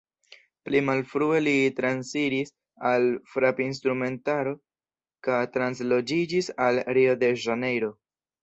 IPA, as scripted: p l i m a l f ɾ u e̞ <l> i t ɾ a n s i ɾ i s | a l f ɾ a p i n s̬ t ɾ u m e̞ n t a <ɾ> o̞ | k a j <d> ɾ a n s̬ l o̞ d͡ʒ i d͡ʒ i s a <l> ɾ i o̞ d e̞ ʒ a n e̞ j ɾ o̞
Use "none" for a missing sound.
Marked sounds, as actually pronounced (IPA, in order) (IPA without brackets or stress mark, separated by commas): l, ɾ, t, l